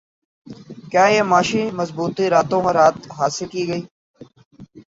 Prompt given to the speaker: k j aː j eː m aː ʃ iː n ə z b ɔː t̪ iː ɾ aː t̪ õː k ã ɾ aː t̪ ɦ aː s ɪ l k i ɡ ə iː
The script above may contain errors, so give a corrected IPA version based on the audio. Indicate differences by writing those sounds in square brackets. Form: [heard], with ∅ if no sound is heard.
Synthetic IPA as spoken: k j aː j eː m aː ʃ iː [m] ə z b [uː] t̪ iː ɾ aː t̪ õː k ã ɾ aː t̪ ɦ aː s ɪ l k [iː] ɡ ə iː